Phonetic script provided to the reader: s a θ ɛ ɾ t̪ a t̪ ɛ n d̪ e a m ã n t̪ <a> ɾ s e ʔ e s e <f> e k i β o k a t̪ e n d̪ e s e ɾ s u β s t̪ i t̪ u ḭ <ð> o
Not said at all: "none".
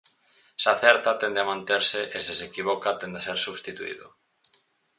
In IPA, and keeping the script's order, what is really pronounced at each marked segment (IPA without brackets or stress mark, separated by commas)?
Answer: e, s, ð